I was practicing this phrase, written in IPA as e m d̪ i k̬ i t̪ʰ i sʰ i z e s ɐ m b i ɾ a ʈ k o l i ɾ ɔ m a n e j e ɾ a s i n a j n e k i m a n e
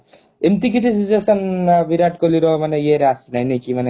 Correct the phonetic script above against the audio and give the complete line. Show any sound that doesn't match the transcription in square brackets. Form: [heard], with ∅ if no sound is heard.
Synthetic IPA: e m [t̪] i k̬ i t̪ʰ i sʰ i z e s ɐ [n] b i ɾ a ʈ k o l i ɾ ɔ m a n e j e ɾ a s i n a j n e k i m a n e